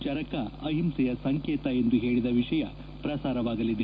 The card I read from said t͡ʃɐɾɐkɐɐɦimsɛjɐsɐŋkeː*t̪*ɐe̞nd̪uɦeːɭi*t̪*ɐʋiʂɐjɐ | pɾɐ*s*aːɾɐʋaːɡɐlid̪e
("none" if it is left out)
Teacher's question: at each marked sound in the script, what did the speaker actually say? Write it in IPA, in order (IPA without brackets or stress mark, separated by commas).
t̪, d̪, s